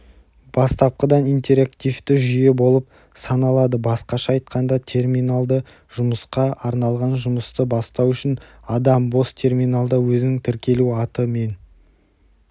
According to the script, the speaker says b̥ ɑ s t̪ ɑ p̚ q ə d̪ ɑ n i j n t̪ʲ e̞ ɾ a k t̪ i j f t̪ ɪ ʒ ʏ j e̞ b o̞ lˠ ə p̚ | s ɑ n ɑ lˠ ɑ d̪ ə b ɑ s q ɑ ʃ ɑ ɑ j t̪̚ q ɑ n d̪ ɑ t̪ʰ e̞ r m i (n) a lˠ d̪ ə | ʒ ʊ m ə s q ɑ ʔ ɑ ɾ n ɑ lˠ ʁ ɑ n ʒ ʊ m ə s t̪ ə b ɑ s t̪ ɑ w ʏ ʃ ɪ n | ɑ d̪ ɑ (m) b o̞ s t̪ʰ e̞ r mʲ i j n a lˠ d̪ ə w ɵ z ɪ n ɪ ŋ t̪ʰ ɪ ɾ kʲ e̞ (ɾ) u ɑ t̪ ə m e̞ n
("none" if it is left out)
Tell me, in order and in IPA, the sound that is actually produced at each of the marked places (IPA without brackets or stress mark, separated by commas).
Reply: n, m, l